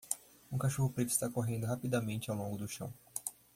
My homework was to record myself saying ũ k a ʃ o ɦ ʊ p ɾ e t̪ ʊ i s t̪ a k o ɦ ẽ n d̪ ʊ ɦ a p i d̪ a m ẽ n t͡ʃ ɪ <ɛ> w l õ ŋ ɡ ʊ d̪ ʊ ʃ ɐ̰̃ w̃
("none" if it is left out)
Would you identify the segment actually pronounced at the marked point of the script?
a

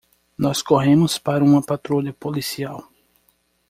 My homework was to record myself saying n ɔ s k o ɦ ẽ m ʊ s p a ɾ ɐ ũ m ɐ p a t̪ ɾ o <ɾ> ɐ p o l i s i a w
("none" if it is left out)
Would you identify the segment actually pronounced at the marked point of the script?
ʎ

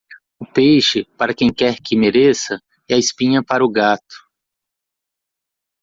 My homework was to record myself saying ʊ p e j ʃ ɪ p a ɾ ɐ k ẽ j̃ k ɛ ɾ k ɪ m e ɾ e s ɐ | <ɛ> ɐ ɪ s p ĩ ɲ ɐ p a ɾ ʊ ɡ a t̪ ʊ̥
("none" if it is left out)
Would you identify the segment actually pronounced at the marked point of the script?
ɛ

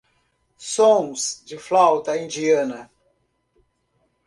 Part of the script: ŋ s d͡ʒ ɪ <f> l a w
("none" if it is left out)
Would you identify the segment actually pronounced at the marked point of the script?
f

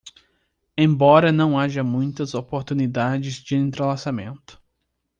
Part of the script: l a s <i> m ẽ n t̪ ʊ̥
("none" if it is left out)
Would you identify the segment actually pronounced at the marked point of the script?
a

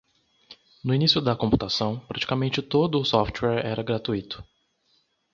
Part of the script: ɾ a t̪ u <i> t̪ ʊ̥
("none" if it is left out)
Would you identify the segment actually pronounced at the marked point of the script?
i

